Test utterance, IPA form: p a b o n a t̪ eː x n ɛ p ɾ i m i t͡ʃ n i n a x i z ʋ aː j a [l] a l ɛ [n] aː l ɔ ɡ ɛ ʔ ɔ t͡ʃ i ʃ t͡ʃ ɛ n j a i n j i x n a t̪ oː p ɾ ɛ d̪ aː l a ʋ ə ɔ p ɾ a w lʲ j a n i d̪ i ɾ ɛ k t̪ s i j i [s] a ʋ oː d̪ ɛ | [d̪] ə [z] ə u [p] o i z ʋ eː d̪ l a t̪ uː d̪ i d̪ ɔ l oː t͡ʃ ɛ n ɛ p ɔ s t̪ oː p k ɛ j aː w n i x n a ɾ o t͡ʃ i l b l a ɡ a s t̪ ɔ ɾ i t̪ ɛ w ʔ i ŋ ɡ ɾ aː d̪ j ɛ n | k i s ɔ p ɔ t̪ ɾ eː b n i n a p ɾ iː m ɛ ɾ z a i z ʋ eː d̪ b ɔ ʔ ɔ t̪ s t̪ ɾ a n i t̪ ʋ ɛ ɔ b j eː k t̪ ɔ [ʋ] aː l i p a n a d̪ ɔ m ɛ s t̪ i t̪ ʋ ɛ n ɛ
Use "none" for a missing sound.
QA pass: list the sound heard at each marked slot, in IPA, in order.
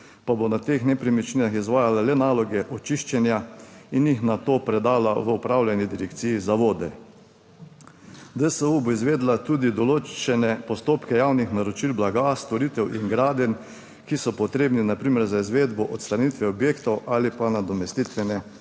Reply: l, n, z, d̪, s, b, w

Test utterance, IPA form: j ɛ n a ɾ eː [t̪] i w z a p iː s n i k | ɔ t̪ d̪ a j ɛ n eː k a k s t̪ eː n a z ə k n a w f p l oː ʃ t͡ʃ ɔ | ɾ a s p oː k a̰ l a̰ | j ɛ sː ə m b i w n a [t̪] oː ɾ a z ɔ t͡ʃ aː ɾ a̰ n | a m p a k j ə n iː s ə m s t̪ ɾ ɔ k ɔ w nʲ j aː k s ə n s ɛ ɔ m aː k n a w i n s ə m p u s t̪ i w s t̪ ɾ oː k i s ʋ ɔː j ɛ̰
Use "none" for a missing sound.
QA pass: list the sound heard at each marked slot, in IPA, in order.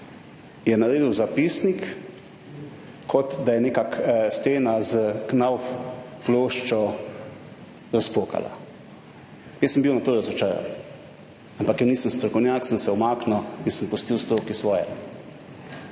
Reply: d̪, t̪

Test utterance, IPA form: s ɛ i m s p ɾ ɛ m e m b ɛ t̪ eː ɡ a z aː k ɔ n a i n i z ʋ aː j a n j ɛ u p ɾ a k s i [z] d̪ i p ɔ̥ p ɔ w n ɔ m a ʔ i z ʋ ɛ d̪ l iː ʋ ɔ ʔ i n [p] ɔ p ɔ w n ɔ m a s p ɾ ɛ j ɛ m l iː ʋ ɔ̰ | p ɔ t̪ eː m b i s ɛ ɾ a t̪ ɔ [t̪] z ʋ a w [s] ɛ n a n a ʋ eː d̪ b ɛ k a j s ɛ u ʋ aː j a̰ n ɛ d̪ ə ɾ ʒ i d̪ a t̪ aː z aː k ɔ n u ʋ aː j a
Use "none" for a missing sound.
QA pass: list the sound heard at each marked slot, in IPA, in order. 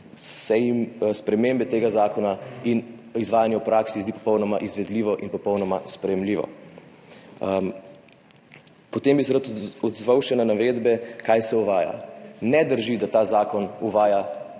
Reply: z, p, d̪, ʃ

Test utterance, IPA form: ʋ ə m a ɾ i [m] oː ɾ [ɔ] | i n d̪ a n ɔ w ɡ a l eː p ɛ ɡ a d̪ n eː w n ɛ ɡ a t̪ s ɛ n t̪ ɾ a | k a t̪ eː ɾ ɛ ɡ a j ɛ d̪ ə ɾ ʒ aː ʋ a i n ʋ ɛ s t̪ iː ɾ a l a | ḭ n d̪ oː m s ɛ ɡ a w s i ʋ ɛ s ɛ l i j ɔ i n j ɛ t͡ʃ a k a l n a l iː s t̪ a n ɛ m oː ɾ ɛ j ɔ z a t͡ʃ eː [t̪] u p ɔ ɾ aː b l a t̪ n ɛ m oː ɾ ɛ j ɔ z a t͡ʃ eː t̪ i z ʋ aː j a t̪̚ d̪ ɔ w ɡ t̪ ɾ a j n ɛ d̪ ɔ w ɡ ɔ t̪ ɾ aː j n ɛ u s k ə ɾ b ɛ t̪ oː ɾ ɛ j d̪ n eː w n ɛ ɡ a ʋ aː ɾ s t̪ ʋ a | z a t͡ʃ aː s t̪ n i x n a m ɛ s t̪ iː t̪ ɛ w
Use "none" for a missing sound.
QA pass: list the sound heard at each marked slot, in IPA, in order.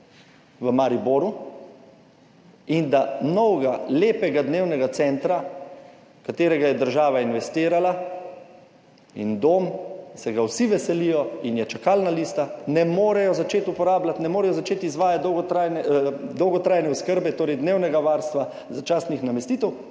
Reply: b, u, t̪

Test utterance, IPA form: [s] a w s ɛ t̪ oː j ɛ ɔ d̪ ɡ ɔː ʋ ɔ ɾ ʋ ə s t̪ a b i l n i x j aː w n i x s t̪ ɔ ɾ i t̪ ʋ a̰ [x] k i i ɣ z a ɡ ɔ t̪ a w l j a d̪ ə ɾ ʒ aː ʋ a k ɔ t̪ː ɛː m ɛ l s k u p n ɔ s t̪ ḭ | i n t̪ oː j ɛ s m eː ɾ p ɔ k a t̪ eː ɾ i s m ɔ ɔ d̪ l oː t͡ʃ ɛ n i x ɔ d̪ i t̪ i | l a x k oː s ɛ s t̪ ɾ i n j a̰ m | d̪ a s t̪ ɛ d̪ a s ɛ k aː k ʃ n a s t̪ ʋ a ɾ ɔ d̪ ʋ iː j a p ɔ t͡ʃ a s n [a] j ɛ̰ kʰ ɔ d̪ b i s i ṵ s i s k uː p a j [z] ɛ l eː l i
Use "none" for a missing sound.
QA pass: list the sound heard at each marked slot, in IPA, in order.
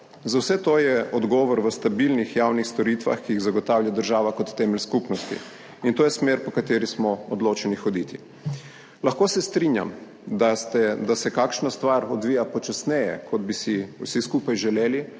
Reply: z, x, ɛ, ʒ

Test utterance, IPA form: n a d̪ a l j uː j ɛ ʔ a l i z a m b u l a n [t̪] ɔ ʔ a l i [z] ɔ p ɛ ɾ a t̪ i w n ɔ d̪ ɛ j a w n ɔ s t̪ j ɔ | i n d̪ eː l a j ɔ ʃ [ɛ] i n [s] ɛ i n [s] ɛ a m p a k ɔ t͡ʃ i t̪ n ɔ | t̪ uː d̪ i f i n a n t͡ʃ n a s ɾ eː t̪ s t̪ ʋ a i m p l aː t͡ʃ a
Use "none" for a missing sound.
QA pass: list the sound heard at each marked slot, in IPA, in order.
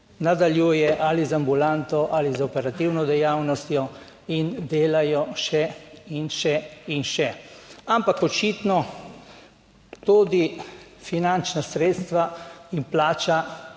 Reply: t̪, z, ɛ, ʃ, ʃ

